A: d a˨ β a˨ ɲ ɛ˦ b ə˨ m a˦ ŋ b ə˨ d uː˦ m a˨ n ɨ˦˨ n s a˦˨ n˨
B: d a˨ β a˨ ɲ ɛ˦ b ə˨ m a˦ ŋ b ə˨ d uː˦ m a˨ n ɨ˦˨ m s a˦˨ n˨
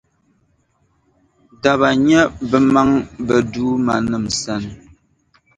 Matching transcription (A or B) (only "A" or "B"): B